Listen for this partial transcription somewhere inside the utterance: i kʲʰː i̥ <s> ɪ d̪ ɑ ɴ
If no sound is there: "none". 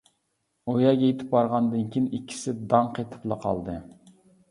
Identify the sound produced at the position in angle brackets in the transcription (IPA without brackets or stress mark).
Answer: s